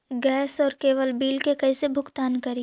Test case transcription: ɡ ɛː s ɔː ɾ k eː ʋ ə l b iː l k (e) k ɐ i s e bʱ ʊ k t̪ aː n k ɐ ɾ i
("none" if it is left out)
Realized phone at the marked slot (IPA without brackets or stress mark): e